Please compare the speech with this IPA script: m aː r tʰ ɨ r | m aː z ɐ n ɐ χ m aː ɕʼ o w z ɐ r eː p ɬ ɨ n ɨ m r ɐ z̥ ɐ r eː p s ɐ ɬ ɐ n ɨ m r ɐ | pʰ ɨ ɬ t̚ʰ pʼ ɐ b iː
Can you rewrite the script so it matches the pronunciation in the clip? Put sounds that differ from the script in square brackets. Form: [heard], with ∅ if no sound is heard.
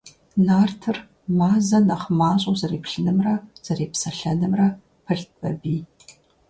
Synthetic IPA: [n] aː r tʰ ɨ r | m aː z ɐ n ɐ χ m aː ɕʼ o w z ɐ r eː p ɬ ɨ n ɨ m r ɐ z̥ ɐ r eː p s ɐ ɬ ɐ n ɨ m r ɐ | pʰ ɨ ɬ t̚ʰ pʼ ɐ b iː